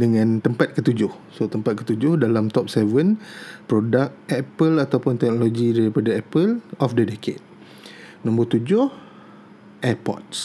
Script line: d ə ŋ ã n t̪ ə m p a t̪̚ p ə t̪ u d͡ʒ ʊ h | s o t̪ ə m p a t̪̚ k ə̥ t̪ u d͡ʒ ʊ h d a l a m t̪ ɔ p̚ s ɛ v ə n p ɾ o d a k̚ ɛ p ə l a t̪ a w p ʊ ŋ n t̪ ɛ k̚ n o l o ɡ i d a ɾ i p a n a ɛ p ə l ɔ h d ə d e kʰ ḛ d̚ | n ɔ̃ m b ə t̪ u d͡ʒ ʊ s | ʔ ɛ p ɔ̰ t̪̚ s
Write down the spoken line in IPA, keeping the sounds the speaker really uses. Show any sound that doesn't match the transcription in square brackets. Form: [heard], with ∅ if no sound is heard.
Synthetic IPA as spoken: d ə ŋ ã n t̪ ə m p a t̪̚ [k] ə t̪ u d͡ʒ ʊ h | s o t̪ ə m p a t̪̚ k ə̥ t̪ u d͡ʒ ʊ h d a l a m t̪ ɔ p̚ s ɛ v ə n p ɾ o d a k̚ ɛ p ə l a t̪ a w p ʊ [∅] n t̪ ɛ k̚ n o l o ɡ i d a ɾ i p a [d] a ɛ p ə l ɔ [f] d ə d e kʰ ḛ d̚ | n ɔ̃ m b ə t̪ u d͡ʒ ʊ [h] | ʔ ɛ p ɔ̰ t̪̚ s